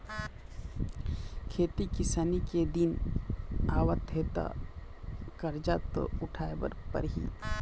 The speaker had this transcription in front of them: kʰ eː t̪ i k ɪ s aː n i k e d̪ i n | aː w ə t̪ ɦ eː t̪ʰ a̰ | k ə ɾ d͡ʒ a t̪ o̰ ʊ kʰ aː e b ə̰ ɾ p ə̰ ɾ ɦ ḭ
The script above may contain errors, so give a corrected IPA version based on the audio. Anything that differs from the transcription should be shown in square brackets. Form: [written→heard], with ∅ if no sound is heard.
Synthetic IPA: kʰ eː t̪ i k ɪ s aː n i k e d̪ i n | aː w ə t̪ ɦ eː [t̪ʰ→t̪] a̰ | k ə ɾ d͡ʒ a t̪ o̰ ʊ [kʰ→ʈʰ] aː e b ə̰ ɾ p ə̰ ɾ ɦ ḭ